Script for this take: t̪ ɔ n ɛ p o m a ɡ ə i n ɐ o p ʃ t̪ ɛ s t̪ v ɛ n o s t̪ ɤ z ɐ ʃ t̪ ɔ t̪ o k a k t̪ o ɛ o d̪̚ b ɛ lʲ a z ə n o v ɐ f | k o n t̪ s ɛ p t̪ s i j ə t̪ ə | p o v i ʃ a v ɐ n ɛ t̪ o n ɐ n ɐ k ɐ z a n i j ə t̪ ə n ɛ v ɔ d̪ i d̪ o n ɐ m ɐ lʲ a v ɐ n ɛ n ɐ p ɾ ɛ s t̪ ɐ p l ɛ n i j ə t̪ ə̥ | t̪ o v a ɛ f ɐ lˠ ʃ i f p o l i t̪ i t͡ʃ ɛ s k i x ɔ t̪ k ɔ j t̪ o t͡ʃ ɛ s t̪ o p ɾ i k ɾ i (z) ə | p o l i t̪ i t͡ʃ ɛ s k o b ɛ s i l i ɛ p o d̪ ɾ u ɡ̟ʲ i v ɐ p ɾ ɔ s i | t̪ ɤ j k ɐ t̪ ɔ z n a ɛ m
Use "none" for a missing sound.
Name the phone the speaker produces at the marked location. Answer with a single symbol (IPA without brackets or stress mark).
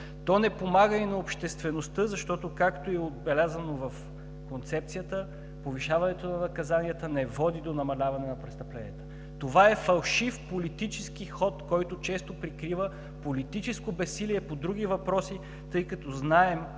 v